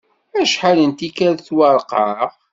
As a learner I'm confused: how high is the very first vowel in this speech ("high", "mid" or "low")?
low